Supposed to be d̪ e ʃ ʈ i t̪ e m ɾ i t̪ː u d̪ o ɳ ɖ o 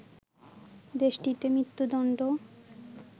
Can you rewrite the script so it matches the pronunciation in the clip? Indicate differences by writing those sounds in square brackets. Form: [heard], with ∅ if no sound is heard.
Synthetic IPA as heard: d̪ e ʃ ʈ i t̪ e m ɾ i t̪ː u d̪ [ɔ] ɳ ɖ o